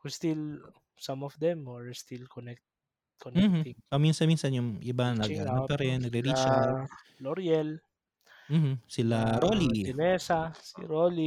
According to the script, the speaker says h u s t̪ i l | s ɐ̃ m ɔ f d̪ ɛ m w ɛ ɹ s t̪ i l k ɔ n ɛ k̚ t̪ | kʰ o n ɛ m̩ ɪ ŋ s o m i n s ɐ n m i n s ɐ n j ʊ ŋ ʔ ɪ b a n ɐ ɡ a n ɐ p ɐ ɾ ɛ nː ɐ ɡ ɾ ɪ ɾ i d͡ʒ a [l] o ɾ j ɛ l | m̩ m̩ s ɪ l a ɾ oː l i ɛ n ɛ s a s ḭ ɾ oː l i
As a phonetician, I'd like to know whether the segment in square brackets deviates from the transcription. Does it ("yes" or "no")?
no